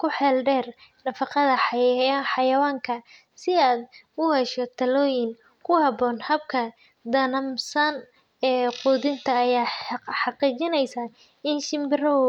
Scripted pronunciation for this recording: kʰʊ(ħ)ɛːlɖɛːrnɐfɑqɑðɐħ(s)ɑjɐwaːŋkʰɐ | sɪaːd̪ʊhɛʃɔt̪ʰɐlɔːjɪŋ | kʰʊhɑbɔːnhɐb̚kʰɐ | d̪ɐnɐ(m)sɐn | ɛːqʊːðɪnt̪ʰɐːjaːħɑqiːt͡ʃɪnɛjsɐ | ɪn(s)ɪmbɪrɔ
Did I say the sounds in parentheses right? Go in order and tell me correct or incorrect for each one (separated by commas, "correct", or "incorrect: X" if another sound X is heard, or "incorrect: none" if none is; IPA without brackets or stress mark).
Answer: correct, incorrect: ħ, correct, incorrect: ʃ